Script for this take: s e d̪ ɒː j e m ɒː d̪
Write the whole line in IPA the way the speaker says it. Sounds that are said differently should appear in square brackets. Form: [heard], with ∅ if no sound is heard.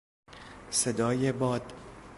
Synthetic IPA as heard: s e d̪ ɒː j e [b] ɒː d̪